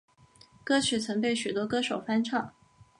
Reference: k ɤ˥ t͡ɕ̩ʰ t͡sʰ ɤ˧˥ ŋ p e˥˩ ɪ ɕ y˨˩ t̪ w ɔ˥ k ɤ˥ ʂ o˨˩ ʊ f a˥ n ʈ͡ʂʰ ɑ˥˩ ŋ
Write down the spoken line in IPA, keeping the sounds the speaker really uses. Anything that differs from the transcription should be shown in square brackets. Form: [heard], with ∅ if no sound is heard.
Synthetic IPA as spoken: k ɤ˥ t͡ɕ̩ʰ t͡sʰ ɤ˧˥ ŋ p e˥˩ ɪ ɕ y˨˩ t̪ w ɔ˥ k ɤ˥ ʂ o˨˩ ʊ f a˥ n ʈ͡ʂʰ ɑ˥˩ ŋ